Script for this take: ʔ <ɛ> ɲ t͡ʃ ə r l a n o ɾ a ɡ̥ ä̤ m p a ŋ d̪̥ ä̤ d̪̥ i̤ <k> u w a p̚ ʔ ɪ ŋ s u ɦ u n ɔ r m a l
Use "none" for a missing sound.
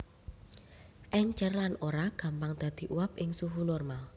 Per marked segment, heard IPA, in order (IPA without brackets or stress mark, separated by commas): ɛ, ʔ